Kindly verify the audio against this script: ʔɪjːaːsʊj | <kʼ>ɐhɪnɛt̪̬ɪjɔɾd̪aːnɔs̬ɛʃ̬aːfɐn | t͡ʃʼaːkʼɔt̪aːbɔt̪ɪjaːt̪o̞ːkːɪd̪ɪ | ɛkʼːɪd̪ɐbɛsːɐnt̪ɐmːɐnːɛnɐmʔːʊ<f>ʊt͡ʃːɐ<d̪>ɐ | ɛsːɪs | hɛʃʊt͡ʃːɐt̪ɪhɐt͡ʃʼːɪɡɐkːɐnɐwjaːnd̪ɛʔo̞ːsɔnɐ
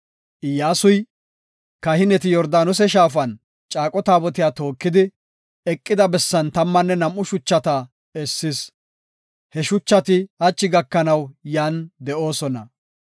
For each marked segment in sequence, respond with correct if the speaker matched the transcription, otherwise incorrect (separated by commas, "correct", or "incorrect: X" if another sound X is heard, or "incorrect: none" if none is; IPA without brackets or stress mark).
incorrect: k, incorrect: ʃ, incorrect: t̪